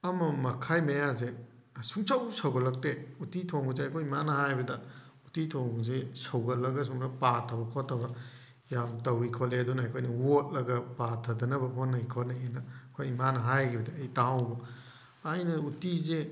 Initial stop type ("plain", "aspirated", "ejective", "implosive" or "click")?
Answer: aspirated